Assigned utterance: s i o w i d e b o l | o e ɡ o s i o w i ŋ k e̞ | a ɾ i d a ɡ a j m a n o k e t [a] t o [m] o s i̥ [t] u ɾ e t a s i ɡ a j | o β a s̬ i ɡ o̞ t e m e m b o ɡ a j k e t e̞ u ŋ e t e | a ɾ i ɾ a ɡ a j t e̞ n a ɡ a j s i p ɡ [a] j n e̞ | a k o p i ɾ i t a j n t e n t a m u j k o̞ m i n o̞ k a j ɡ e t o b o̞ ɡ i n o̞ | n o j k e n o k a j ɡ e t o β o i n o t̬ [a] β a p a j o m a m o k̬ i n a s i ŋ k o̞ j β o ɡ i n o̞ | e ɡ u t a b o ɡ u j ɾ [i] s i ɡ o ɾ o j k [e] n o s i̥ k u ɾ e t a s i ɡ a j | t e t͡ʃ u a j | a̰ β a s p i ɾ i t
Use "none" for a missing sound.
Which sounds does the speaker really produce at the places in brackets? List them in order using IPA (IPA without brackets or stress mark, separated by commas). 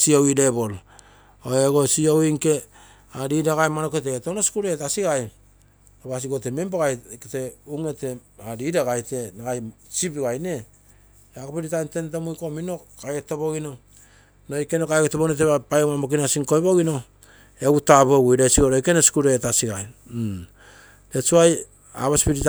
e, n, k, a, e, a, e